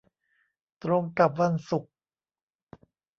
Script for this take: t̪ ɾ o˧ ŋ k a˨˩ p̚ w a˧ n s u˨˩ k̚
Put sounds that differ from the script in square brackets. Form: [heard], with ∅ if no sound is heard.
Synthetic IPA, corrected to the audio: t̪ ɾ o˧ ŋ k a˨˩ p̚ w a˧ n s u˨˩ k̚